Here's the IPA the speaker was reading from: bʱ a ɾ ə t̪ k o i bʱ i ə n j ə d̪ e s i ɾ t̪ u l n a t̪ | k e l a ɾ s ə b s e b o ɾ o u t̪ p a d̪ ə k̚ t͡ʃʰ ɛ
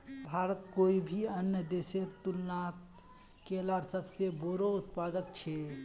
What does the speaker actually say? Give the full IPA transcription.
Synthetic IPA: bʱ a ɾ ə t̪ k o i bʱ i ə n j ə d̪ e s e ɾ t̪ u l n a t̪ | k e l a ɾ s ə b s e b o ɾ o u t̪ p a d̪ ə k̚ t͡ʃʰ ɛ